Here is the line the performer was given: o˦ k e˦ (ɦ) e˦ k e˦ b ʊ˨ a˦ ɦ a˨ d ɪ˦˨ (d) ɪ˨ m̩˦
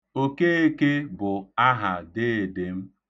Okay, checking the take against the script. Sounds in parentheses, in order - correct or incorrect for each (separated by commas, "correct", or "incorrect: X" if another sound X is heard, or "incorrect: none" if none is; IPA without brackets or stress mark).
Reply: incorrect: none, correct